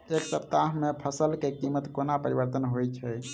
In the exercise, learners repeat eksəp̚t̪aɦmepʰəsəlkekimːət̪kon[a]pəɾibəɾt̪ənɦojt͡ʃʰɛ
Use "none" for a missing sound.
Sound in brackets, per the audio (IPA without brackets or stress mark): a